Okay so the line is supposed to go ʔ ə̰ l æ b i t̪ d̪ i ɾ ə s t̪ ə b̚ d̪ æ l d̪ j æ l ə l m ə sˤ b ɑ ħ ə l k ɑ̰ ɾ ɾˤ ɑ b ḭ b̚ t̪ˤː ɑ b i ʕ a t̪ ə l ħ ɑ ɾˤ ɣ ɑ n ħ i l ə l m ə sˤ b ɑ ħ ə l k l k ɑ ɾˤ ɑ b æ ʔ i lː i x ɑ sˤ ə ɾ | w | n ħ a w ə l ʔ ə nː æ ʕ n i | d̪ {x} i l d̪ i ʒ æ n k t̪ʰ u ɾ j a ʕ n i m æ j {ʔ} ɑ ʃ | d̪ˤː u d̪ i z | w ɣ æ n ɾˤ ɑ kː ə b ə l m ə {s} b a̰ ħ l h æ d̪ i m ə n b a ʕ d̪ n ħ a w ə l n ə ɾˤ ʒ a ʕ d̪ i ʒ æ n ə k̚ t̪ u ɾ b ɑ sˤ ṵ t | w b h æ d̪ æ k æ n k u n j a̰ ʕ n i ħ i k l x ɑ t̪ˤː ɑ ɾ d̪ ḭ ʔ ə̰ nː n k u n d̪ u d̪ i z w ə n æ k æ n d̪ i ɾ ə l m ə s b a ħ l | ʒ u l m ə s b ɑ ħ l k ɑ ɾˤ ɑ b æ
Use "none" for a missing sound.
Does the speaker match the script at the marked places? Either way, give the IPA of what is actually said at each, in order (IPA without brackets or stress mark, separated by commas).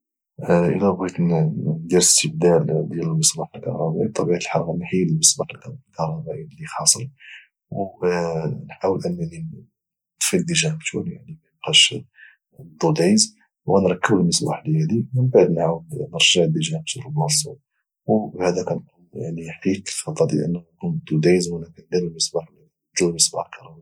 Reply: f, q, s